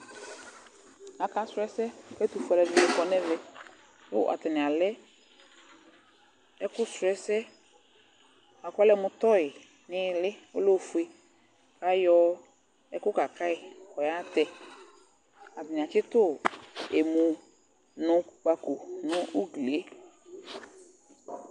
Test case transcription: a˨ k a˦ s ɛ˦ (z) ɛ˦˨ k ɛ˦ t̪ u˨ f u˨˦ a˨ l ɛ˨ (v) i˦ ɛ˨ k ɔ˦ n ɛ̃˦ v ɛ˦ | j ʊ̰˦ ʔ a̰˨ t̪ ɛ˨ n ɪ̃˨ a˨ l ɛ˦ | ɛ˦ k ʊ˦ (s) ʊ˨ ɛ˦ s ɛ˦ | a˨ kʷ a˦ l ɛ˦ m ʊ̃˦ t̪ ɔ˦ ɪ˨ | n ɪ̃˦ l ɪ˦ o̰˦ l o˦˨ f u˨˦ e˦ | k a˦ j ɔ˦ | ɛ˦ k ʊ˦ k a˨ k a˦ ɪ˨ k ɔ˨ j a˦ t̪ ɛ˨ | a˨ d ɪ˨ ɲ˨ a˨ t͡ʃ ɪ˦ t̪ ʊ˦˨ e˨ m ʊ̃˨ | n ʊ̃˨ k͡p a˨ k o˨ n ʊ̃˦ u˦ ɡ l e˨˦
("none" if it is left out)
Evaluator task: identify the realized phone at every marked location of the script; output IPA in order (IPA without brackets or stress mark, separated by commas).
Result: s, v, s